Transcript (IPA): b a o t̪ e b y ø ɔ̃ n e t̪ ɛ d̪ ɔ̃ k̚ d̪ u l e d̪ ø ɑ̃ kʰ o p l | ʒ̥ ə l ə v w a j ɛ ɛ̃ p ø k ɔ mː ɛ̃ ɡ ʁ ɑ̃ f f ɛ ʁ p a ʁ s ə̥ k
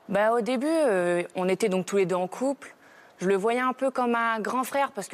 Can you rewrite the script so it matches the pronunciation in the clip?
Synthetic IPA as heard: b a o d̪ e b y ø ɔ̃ n e t̪ ɛ d̪ ɔ̃ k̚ t̪ u l e d̪ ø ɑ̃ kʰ u p l | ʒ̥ ə l ə v w a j ɛ ɛ̃ p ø k ɔ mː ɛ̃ ɡ ʁ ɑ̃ f χ ɛ ʁ p a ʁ s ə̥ k